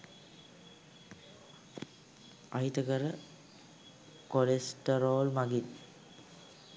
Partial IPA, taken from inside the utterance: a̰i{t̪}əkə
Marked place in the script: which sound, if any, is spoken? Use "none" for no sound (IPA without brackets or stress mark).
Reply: t̪